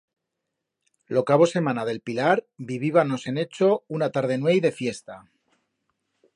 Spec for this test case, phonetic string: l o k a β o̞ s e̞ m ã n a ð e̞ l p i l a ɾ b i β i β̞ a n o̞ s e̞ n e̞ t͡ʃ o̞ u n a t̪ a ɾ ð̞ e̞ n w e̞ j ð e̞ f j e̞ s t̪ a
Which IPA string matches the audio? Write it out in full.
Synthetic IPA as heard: l o k a β o̞ s e̞ m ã n a ð e̞ l p i l a ɾ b i β i β̞ a n o̞ s e̞ n e̞ t͡ʃ o̞ u n a t̪ a ɾ ð̞ e̞ n w e̞ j ð e̞ f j e̞ s t̪ a